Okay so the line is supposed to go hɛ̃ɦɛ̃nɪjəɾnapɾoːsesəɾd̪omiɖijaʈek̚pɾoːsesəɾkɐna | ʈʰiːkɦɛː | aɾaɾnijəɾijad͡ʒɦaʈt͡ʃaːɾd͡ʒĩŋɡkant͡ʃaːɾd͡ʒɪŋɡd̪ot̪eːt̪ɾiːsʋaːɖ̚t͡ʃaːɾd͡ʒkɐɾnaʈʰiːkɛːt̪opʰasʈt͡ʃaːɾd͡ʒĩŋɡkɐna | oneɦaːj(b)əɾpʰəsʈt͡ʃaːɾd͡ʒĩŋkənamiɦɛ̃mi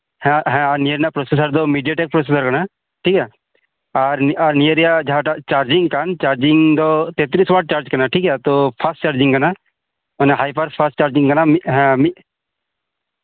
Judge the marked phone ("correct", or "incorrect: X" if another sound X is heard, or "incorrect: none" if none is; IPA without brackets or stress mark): incorrect: p